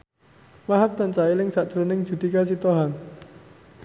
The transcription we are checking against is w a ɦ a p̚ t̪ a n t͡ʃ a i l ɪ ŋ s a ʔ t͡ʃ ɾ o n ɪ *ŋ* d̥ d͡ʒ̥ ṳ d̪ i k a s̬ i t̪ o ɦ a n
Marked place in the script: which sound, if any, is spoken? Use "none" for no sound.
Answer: ŋ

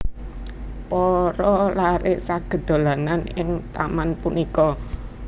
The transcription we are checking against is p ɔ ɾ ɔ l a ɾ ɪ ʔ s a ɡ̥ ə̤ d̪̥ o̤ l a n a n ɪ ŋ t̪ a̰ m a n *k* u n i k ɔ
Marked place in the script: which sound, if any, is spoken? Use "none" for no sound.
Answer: p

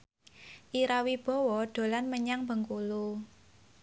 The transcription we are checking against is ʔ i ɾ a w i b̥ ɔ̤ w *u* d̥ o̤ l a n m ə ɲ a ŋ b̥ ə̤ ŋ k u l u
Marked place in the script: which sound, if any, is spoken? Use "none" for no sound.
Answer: ɔ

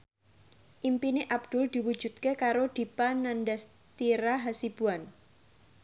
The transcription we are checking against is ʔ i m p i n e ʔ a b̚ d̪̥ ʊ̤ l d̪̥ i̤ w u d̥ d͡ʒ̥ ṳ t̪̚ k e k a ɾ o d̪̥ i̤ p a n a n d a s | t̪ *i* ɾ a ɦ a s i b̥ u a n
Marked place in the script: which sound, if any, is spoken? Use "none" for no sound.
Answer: i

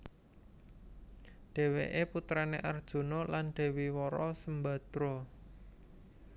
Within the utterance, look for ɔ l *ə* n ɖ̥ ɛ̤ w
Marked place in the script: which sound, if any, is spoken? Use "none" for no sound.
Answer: a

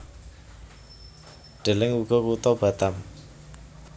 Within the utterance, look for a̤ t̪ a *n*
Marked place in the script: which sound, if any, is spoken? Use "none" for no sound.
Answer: m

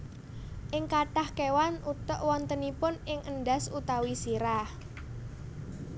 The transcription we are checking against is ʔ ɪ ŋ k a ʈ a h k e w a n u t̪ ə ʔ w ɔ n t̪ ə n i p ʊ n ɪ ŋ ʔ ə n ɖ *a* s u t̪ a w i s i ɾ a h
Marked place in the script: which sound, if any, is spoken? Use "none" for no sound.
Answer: a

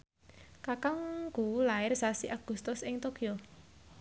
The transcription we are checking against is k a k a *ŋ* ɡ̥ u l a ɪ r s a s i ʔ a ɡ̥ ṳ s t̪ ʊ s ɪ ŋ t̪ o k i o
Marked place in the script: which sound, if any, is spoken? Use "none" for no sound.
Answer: ŋ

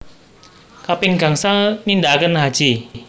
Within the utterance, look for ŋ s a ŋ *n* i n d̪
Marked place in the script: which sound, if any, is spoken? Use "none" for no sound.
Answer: n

